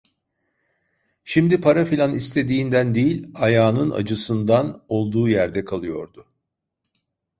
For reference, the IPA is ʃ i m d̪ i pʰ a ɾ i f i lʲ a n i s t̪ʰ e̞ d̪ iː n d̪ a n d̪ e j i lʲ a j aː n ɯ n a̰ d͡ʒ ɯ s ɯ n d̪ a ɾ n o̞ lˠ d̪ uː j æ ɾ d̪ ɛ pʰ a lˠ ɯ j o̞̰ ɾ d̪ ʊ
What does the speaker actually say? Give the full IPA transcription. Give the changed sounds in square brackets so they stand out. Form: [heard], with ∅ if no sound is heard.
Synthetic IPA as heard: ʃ i m d̪ i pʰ a ɾ [a] f i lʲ a n i s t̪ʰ e̞ d̪ iː n d̪ [æ] n d̪ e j i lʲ a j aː n ɯ n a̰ d͡ʒ ɯ s ɯ n d̪ a [∅] n o̞ lˠ d̪ uː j æ ɾ d̪ ɛ [kʰ] a lˠ ɯ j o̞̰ ɾ d̪ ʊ